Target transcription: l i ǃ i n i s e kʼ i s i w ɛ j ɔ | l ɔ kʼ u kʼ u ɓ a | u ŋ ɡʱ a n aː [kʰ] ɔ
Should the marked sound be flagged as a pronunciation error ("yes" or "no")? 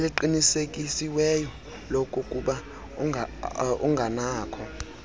no